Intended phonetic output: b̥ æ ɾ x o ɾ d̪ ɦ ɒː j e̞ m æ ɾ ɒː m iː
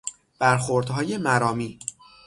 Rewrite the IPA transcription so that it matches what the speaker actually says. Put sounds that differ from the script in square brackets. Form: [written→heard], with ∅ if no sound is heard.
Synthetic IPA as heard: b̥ æ ɾ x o ɾ d̪ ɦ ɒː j e̞ m æ ɾ ɒː m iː